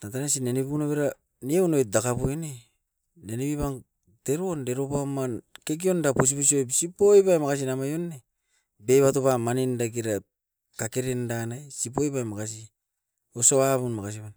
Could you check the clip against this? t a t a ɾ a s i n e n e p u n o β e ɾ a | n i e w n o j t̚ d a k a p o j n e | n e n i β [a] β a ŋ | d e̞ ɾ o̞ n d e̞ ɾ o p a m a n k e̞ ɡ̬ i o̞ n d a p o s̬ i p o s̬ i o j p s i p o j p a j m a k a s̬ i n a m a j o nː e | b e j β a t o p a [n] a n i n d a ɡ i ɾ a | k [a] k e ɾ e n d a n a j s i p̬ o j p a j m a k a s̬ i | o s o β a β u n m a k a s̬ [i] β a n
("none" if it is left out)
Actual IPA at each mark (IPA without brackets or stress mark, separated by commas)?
i, m, a, i